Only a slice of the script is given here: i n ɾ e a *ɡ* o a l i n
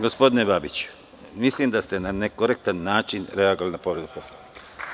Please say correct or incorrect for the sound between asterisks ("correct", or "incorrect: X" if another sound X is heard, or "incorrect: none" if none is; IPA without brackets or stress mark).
correct